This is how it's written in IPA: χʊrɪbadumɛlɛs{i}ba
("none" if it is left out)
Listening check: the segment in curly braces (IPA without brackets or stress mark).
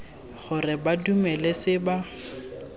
ɪ